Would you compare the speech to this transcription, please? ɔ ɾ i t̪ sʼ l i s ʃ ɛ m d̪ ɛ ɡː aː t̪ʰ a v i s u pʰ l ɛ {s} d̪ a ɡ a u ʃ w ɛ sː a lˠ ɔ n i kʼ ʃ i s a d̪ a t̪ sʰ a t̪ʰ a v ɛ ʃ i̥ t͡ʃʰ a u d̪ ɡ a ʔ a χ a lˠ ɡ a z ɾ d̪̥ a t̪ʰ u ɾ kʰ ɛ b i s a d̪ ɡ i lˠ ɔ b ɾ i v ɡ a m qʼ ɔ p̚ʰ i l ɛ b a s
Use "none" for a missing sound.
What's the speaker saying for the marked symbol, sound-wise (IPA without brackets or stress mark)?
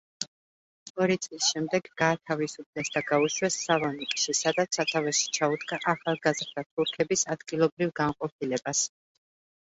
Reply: s